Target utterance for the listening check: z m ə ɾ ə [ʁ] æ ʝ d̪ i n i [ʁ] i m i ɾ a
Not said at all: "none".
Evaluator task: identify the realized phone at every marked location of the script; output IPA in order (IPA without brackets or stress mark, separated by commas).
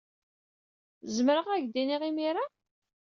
ʁ, ʁ